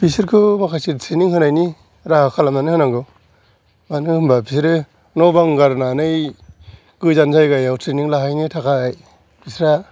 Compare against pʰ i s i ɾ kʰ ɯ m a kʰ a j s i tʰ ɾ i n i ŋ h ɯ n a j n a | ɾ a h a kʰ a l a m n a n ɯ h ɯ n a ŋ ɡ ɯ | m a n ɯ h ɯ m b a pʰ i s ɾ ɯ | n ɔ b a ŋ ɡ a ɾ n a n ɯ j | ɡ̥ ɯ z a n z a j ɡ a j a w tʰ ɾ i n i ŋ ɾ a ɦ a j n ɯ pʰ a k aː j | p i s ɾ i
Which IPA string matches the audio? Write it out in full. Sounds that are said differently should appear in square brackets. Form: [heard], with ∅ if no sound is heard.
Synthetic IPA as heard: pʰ i s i ɾ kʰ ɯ m a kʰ a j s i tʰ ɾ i n i ŋ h ɯ n a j n [i] | ɾ a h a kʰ a l a m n a n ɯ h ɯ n a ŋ ɡ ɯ | m a n ɯ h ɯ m b a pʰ i s ɾ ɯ | n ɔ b a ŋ ɡ a ɾ n a n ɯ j | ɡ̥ ɯ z a n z a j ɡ a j a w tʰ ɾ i n i ŋ [l] a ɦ a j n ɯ [tʰ] a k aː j | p i s ɾ [a]